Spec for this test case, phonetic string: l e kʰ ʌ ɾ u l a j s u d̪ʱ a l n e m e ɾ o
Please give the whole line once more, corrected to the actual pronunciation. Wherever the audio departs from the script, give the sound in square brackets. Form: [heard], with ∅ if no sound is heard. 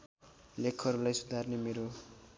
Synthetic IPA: l e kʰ ʌ ɾ u l a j s u d̪ʱ a [r] n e m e ɾ o